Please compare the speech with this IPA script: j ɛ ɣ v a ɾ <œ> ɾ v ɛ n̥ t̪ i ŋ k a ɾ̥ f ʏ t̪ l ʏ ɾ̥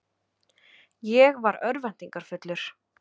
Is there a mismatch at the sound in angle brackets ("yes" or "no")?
no